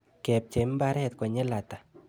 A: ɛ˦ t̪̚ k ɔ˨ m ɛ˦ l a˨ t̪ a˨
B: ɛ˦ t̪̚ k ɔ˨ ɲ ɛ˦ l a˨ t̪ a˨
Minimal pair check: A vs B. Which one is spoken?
B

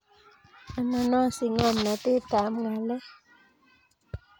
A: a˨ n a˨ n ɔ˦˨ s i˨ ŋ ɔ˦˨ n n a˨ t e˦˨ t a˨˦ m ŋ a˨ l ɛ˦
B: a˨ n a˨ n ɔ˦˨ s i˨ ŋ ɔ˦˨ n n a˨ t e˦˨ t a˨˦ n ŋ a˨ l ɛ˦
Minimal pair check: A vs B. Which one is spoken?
A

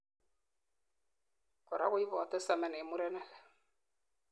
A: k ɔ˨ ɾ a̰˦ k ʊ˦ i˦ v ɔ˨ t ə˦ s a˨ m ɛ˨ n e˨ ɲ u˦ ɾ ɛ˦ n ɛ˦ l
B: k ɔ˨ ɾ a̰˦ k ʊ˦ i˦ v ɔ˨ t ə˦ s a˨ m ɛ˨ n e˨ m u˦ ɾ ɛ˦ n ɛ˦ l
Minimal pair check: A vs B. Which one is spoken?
B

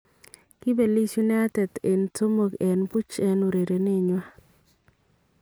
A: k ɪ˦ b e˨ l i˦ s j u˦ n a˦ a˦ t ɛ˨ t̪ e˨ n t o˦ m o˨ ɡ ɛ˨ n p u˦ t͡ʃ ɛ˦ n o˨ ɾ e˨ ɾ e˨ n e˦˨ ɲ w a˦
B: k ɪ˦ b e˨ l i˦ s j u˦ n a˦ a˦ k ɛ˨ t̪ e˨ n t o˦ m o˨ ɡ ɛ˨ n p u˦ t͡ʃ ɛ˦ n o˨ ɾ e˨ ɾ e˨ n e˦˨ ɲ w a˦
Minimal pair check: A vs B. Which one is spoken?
A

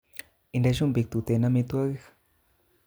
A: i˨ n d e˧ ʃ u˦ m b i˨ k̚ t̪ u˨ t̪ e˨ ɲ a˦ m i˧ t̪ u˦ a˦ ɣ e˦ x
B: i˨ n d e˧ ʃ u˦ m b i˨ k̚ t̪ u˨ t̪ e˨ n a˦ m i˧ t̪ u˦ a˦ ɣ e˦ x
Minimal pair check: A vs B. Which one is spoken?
B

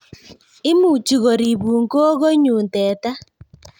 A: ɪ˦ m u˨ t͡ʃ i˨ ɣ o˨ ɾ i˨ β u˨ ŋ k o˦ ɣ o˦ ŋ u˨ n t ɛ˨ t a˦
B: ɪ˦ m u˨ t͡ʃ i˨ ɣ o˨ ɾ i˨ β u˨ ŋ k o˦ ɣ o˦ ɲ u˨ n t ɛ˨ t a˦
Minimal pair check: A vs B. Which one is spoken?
B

